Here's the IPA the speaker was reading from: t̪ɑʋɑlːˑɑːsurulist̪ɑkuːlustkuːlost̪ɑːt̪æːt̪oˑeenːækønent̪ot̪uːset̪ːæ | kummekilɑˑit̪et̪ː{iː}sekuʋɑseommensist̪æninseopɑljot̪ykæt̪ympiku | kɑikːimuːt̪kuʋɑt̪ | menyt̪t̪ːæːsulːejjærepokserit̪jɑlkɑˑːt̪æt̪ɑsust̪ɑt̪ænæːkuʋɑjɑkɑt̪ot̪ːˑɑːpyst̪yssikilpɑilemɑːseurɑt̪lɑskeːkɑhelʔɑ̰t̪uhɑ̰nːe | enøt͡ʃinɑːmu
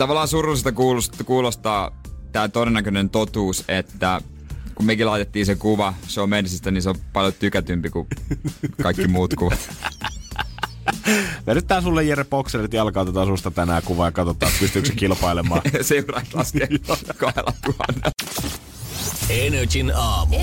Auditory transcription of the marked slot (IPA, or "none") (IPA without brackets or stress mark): iː